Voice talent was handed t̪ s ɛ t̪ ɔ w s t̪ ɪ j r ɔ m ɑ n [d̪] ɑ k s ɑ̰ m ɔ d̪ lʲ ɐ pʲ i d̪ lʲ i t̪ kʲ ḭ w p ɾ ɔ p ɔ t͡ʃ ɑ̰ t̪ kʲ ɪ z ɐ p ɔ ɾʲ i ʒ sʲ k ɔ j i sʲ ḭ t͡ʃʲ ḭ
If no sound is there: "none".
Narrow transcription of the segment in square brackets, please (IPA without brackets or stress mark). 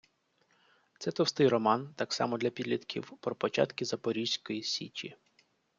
t̪